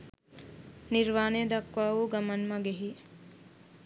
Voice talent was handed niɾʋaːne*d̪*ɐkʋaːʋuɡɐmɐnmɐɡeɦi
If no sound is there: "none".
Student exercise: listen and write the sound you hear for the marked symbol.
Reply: d̪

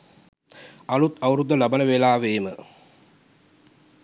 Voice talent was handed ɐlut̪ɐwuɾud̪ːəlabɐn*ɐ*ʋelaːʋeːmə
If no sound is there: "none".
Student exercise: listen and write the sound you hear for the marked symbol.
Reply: ə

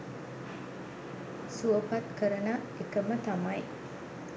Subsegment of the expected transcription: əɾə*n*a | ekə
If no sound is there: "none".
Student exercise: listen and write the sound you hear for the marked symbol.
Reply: n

